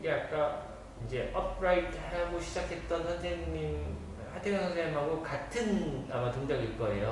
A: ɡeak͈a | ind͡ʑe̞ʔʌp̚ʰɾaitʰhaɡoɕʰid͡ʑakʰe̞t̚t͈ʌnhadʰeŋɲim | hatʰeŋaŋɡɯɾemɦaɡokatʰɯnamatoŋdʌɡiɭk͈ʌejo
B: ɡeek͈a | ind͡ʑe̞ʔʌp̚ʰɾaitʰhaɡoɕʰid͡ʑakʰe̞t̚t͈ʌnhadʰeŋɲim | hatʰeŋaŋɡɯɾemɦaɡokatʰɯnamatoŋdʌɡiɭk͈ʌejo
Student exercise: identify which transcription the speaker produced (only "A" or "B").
A